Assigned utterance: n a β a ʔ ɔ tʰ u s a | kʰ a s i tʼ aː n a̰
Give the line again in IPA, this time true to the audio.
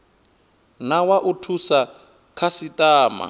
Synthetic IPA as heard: n a w a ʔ u tʰ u s a | kʰ a s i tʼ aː m a̰